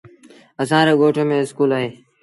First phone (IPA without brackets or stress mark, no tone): ə